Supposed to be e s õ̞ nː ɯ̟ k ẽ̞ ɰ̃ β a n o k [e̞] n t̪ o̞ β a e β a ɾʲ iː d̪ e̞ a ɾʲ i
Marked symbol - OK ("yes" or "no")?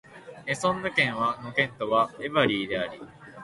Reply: no